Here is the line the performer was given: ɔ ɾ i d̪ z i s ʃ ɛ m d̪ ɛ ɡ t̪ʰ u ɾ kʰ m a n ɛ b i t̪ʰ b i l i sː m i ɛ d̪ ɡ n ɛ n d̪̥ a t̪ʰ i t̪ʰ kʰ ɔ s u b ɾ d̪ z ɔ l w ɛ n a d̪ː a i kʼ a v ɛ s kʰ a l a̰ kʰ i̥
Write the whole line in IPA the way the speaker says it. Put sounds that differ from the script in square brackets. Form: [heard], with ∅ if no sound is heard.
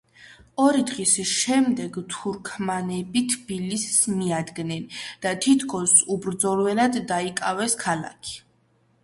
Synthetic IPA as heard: ɔ ɾ i d̪ [ʁ] i s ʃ ɛ m d̪ ɛ ɡ t̪ʰ u ɾ kʰ m a n ɛ b i t̪ʰ b i l i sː m i [a] d̪ ɡ n ɛ n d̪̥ a t̪ʰ i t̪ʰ kʰ ɔ s u b ɾ d̪ z ɔ l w ɛ n a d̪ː a i kʼ a v ɛ s kʰ a l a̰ kʰ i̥